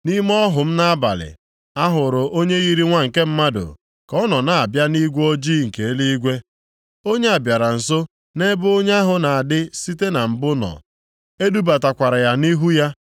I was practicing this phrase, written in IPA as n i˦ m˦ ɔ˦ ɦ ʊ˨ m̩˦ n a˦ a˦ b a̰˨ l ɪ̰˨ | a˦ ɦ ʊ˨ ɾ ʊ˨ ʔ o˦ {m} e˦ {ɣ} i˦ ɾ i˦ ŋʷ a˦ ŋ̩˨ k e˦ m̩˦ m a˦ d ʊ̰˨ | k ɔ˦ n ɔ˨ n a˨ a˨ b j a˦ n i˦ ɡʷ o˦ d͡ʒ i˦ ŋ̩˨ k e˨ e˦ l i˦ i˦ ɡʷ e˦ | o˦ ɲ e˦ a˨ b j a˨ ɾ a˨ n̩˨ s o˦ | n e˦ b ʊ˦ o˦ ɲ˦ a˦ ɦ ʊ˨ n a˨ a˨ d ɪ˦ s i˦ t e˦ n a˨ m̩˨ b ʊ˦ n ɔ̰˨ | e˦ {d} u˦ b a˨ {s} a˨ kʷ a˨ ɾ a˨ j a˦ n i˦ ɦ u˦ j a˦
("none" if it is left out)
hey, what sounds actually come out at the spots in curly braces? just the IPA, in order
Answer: ɲ, ɣ, d, t

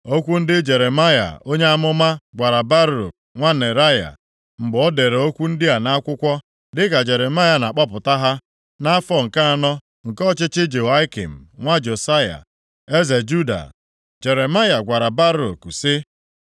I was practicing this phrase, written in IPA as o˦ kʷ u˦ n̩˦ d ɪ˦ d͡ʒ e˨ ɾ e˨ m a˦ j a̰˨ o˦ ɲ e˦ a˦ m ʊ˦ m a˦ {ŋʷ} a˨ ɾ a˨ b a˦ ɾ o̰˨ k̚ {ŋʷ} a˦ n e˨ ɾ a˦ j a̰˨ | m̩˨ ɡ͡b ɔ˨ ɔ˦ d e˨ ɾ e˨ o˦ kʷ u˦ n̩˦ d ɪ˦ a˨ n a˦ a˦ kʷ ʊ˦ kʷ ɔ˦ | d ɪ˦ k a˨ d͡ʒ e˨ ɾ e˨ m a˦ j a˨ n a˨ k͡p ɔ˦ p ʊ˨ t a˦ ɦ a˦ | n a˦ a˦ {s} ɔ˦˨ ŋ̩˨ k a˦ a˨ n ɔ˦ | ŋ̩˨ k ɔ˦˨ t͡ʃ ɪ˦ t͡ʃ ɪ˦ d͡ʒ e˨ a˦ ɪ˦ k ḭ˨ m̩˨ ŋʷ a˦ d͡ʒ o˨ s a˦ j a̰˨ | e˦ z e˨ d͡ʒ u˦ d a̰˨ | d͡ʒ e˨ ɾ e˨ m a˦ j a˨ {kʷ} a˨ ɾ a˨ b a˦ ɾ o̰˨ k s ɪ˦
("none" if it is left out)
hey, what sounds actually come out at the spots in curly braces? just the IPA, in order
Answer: ɡʷ, ŋʷ, f, ɡʷ

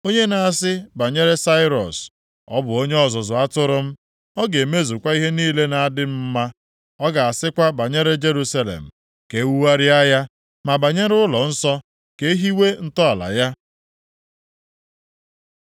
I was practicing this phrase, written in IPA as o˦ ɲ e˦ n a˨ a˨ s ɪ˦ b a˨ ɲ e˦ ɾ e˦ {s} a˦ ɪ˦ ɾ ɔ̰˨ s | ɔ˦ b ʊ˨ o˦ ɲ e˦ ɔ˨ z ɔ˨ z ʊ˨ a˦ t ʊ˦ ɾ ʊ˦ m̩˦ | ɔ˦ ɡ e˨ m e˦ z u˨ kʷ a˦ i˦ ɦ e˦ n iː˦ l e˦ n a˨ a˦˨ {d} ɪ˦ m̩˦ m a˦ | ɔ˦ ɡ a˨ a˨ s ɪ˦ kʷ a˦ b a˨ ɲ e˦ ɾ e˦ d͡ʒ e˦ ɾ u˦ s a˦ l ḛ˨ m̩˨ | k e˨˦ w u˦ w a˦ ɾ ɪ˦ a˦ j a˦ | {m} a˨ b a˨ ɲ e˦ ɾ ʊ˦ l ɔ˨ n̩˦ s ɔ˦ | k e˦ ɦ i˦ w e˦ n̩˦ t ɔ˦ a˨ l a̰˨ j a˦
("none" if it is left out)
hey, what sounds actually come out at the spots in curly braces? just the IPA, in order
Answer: s, d, m

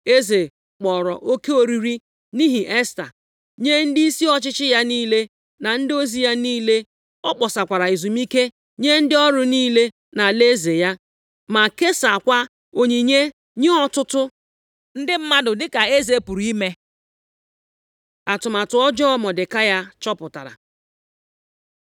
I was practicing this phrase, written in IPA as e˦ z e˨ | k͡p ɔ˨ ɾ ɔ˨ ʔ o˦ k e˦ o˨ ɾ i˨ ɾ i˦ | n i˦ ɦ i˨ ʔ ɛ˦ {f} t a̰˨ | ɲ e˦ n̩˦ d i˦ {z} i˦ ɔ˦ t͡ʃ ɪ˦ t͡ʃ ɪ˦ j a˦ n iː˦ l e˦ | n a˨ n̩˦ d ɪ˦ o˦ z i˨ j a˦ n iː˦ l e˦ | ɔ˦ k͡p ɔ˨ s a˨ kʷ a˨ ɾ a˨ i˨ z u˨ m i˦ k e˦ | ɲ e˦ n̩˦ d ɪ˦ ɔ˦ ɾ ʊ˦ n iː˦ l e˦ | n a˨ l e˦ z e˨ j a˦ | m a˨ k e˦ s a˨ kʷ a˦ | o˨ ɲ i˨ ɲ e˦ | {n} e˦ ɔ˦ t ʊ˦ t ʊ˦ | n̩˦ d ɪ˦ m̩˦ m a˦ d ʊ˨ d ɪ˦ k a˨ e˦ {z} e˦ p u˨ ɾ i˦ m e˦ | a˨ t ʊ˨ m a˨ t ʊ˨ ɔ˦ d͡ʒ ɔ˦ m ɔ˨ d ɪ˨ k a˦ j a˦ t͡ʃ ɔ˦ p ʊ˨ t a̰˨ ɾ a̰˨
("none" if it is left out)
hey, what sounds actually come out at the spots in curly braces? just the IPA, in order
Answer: s, s, ɲ, z

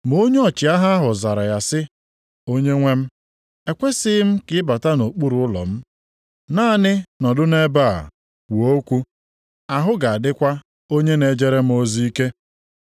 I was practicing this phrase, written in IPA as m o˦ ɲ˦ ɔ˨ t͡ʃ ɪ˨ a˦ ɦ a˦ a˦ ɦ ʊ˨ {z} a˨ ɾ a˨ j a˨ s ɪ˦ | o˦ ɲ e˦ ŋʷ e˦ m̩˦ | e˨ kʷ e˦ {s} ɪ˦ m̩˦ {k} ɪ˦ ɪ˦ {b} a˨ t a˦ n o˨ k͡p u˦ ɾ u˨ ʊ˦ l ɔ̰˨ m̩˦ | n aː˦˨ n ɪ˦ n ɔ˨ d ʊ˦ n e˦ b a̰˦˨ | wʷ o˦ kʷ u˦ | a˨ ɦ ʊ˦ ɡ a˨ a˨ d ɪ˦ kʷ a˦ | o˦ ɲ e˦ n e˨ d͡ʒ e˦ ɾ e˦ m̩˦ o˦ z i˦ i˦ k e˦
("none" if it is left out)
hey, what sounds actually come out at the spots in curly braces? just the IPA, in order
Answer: z, s, k, b

